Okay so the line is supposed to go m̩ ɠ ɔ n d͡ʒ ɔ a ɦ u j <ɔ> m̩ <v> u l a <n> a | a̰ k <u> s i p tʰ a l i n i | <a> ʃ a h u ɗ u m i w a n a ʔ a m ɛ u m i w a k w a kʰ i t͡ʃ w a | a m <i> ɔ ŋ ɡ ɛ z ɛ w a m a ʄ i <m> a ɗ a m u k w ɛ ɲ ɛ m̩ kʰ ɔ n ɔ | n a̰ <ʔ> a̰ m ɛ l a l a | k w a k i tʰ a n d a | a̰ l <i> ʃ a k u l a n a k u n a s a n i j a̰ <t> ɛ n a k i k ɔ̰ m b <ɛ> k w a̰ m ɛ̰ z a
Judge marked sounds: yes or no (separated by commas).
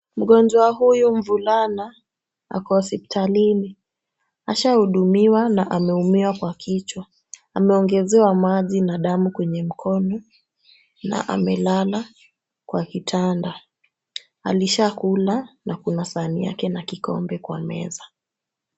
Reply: no, yes, yes, no, yes, no, no, yes, yes, no, yes